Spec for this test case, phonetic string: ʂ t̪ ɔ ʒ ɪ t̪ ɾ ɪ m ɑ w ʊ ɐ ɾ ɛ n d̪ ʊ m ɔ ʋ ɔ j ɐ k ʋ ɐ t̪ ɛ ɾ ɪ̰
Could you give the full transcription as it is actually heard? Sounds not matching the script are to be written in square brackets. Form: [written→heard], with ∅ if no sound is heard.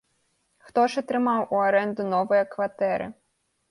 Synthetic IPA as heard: [ʂ→x] t̪ ɔ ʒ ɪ t̪ ɾ ɪ m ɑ w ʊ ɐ ɾ ɛ n d̪ ʊ [m→n] ɔ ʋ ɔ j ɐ k ʋ ɐ t̪ ɛ ɾ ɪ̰